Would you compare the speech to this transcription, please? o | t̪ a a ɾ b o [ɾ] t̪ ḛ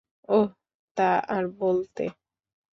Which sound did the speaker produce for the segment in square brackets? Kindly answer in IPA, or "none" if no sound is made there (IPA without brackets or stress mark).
l